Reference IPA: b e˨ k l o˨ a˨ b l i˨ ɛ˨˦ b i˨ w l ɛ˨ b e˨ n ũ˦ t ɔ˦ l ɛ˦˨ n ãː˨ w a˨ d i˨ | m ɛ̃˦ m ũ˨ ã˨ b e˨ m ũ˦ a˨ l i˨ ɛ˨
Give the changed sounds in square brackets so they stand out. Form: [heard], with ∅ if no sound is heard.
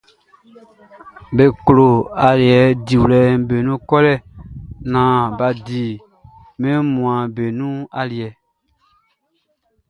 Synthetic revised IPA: b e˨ k l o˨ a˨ [∅] l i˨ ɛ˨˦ [d] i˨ w l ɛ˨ b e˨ n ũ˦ [k] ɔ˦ l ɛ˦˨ n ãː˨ [b] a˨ d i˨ | m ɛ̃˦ m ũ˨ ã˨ b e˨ [n] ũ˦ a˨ l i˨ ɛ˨